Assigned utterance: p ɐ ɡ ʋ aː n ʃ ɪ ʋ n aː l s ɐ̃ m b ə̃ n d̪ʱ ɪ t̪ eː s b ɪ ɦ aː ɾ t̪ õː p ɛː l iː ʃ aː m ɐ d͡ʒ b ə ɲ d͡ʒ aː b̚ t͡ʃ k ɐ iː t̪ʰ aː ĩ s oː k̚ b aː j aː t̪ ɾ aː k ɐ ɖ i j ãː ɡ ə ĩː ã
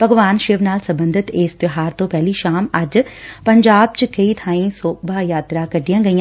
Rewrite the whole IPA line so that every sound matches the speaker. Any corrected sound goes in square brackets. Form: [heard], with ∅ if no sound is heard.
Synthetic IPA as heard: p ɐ ɡ ʋ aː n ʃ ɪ ʋ n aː l s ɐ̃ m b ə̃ n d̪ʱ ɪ t̪ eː s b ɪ ɦ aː ɾ t̪ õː p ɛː l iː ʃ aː m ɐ d͡ʒ [p] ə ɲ d͡ʒ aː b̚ t͡ʃ k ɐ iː t̪ʰ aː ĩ s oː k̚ b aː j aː t̪ ɾ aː k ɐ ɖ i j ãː ɡ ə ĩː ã